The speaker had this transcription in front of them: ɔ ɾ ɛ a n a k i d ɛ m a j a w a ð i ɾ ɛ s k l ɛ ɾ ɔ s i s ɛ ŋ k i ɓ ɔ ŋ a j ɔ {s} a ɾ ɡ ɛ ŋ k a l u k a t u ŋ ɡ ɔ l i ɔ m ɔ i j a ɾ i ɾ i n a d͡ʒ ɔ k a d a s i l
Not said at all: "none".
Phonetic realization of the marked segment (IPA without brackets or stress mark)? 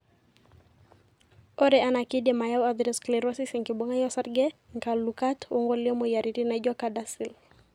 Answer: s